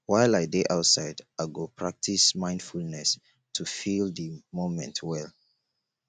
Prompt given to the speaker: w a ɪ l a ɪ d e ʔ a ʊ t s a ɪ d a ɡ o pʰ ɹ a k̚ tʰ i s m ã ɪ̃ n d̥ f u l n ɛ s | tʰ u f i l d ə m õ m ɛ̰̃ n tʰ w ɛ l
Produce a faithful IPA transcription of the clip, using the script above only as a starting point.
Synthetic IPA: w a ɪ l a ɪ d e ʔ a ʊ t s a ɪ d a ɡ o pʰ ɹ a k̚ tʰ i s m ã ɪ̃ n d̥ f u l n ɛ s | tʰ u f i l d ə m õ m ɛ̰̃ n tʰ w ɛ l